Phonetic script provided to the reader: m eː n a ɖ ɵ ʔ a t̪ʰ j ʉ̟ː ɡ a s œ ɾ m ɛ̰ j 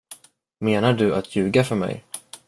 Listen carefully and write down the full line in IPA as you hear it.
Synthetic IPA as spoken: m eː n a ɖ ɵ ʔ a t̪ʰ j ʉ̟ː ɡ a f œ ɾ m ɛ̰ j

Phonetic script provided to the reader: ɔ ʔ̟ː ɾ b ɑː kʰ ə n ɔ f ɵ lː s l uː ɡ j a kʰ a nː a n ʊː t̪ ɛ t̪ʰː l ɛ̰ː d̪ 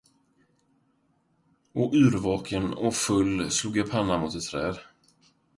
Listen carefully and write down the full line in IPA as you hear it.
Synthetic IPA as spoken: ɔ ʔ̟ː ɾ v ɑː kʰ ə n ɔ f ɵ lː s l uː ɡ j a pʰ a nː a m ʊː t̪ ɛ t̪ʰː ɾ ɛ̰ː d̪

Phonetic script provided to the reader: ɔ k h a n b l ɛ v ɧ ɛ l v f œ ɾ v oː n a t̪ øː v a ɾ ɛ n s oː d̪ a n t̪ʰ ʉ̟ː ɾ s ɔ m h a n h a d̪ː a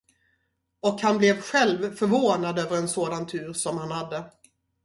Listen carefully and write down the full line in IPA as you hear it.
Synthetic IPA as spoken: ɔ k h a n b l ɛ v ɧ ɛ l v f œ ɾ v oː n a d̪ øː v ə ɾ ɛ n s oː d̪ a n t̪ʰ ʉ̟ː ɾ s ɔ m h a n h a d̪ː ə

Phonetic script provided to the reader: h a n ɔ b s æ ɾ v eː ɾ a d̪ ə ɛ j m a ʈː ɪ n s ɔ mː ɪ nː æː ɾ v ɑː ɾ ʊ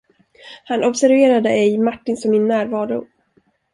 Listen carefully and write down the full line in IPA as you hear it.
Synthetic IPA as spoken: h a n ɔ b s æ ɾ v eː ɾ a d̪ ə ɛ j m a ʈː ɪ n s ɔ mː ɪ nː æː ɾ v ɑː ɾ ʊ

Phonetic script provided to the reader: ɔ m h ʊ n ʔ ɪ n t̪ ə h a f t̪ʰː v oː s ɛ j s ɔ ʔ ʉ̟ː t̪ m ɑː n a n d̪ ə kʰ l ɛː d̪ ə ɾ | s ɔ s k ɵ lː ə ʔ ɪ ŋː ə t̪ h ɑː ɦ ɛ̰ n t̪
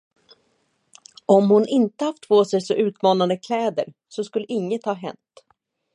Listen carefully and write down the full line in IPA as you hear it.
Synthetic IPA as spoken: ɔ m h ʊ n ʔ ɪ n t̪ ə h a f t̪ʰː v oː s ɛ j s ɔ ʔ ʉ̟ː t̪ m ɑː n a n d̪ ə kʰ l ɛː d̪ ə ɾ | s ɔ s k ɵ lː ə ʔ ɪ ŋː ə t̪ h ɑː ɦ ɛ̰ n t̪

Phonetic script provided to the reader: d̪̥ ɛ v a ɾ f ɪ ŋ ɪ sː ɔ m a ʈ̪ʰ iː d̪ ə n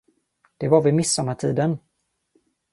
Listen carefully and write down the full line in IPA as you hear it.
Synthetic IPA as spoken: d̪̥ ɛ v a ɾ v ɪ m ɪ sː ɔ m a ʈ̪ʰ iː d̪ ə n

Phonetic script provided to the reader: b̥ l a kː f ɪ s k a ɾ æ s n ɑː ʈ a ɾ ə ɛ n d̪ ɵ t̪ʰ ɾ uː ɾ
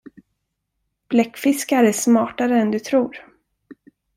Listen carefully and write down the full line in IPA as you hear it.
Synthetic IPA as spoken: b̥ l ɛ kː f ɪ s k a ɾ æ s m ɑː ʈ a ɾ ə ɛ n d̪ ɵ t̪ʰ ɾ uː ɾ

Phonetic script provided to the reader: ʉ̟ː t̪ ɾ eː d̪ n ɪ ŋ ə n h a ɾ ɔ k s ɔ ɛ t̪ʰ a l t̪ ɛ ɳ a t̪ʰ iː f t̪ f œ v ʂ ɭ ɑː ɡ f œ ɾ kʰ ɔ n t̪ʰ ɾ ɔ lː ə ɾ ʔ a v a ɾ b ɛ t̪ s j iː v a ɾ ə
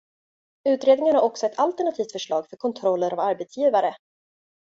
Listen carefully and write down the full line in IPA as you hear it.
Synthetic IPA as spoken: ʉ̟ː t̪ ɾ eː d̪ n ɪ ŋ ə n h a ɾ ɔ k s ɔ ɛ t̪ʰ a l t̪ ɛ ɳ a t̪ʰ iː f t̪ f œ ʂ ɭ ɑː ɡ f œ ɾ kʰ ɔ n t̪ʰ ɾ ɔ lː ə ɾ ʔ a v a ɾ b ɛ t̪ s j iː v a ɾ ə

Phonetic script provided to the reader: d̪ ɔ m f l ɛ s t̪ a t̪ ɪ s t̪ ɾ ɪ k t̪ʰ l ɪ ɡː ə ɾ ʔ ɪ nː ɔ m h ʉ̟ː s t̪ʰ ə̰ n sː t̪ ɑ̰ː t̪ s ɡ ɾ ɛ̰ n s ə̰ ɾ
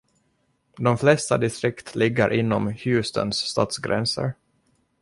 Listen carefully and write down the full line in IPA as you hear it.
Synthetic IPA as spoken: d̪ ɔ m f l ɛ s t̪ a d̪ ɪ s t̪ ɾ ɪ k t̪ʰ l ɪ ɡː ə ɾ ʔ ɪ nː ɔ m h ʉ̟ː s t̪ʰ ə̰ n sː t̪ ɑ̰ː t̪ s ɡ ɾ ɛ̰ n s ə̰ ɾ

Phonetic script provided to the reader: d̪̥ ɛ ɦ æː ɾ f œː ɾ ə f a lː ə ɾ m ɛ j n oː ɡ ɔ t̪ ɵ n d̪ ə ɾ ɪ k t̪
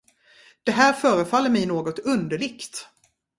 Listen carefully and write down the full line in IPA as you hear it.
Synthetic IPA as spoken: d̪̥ ɛ ɦ æː ɾ f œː ɾ ə f a lː ə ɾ m ɛ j n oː ɡ ɔ t̪ ɵ n d̪ ə ɭ ɪ k t̪

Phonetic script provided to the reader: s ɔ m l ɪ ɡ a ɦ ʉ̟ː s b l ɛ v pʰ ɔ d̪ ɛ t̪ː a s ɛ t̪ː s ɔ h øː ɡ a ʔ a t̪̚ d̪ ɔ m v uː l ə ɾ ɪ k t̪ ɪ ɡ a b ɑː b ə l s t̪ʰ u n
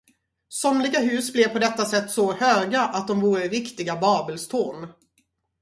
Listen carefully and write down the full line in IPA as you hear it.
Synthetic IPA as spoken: s ɔ m l ɪ ɡ a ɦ ʉ̟ː s b l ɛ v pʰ ɔ d̪ ɛ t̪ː a s ɛ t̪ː s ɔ h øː ɡ a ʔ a t̪̚ d̪ ɔ m v uː ɾ ə ɾ ɪ k t̪ ɪ ɡ a b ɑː b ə l s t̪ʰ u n

